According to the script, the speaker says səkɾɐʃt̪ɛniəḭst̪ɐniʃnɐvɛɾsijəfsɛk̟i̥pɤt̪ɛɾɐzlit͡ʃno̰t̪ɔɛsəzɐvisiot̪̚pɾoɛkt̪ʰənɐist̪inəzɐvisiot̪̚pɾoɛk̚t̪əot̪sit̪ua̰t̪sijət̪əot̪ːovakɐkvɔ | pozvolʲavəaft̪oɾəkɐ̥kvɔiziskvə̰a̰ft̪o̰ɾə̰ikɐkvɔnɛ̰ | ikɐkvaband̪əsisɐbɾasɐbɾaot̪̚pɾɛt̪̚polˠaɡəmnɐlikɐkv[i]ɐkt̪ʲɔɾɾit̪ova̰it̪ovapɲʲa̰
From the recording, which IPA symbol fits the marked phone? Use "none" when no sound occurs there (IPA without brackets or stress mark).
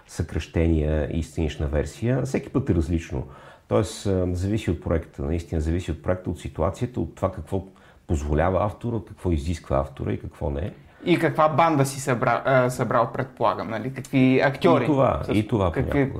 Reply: i